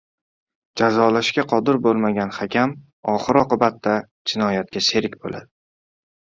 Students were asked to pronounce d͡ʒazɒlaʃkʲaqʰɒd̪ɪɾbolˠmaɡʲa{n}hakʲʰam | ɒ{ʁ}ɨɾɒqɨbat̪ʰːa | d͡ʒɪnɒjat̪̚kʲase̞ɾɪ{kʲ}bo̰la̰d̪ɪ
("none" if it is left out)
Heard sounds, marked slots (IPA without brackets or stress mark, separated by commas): n, χ, kʲ